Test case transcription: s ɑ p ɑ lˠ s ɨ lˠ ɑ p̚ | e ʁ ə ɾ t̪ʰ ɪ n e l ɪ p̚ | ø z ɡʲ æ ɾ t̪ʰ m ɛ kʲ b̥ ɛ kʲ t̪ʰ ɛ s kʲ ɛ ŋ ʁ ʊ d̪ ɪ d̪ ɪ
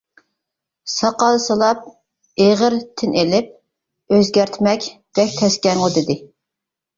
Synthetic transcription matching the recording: s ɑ q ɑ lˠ s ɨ lˠ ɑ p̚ | e ʁ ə ɾ t̪ʰ ɪ n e l ɪ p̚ | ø z ɡʲ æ ɾ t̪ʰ m ɛ kʲ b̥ ɛ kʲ t̪ʰ ɛ s kʲ ɛ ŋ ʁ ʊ d̪ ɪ d̪ ɪ